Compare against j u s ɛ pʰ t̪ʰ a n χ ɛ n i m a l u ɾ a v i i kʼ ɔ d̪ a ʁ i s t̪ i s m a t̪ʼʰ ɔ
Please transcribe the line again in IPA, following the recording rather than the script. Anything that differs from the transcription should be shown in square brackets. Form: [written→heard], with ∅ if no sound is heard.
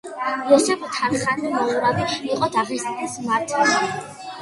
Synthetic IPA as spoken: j [u→ɔ] s ɛ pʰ t̪ʰ a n χ [ɛ→a] n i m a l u ɾ a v i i [kʼ→qʼ] ɔ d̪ a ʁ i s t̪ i s m a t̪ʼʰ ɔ